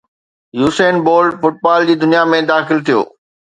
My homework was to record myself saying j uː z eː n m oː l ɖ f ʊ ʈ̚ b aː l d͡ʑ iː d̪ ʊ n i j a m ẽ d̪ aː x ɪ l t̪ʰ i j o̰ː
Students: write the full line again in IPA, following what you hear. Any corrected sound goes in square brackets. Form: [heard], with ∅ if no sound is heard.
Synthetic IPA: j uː [s] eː n [b] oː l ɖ f ʊ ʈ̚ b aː l d͡ʑ iː d̪ ʊ n i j a m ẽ d̪ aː x ɪ l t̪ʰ i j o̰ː